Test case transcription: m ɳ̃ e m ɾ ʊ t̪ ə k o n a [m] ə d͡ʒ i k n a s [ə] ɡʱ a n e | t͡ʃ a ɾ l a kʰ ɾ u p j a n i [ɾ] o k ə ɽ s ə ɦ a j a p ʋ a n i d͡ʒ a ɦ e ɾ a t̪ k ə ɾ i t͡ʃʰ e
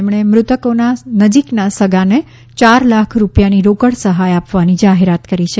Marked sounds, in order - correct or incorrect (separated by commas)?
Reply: incorrect, correct, correct